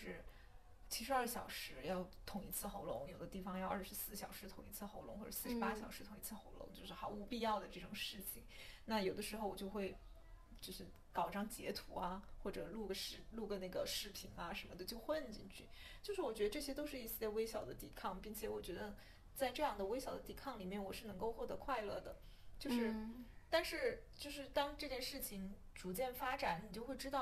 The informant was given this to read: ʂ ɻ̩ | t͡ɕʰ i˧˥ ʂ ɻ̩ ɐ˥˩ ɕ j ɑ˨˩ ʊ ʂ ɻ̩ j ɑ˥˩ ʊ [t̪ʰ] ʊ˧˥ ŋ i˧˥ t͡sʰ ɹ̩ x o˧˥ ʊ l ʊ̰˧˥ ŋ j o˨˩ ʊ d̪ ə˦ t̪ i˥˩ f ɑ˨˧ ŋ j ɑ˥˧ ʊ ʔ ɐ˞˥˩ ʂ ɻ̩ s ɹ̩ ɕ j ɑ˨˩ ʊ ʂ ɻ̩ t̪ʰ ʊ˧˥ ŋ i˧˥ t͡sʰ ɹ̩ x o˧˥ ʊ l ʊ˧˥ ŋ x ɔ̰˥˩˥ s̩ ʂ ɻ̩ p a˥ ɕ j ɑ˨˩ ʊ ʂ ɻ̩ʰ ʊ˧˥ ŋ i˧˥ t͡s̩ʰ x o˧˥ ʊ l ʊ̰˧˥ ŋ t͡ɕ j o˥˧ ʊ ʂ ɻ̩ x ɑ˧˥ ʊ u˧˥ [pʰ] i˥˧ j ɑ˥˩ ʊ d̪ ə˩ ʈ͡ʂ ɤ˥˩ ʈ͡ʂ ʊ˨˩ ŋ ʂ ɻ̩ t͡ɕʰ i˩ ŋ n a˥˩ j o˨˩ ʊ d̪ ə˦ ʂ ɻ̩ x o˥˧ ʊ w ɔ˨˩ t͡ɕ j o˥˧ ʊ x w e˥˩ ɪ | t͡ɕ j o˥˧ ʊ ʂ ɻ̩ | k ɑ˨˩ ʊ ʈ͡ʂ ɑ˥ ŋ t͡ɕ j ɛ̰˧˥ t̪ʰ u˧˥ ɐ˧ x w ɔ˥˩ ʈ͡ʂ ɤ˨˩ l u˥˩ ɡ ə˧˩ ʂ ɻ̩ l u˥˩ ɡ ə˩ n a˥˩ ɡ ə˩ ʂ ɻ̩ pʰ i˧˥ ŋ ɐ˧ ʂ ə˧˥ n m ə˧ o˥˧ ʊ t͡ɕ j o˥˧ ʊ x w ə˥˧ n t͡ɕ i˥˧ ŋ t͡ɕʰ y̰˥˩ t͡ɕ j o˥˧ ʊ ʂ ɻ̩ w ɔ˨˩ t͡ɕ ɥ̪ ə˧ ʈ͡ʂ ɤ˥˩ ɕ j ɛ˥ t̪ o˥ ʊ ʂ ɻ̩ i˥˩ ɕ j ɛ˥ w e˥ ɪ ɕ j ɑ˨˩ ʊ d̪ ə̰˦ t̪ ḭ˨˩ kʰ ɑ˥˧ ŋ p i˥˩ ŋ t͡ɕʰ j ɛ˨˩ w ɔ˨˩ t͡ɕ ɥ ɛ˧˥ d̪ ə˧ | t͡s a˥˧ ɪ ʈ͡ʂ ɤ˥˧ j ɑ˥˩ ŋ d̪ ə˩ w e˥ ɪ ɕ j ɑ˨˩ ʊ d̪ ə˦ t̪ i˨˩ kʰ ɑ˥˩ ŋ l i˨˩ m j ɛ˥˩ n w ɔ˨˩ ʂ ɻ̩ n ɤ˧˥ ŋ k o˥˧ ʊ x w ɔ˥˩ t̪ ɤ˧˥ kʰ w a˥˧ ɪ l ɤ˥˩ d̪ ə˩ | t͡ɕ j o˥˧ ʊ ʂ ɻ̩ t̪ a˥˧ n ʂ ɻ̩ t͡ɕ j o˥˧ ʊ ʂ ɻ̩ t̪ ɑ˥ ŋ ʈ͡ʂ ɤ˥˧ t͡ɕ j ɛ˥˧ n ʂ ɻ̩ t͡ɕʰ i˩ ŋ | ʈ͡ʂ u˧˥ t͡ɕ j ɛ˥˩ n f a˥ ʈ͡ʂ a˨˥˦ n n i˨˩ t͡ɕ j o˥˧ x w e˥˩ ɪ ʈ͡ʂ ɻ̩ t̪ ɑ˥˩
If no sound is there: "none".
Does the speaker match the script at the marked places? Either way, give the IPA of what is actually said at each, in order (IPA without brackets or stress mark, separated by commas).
t̪ʰ, p